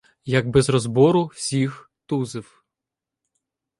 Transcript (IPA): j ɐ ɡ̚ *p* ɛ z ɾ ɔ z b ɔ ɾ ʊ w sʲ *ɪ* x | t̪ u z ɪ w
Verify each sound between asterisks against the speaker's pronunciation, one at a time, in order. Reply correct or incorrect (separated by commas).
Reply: incorrect, incorrect